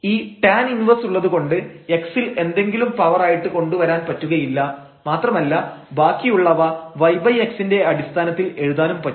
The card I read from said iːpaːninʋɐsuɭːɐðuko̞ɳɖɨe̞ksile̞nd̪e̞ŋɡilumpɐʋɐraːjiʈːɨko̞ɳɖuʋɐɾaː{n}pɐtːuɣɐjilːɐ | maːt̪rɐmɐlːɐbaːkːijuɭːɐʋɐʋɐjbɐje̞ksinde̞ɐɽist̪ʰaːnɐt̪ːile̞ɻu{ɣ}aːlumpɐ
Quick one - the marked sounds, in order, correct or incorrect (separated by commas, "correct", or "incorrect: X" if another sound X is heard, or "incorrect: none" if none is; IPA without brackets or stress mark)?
correct, incorrect: ð